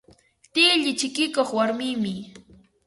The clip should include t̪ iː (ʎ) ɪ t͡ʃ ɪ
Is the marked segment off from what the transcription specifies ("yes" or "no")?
no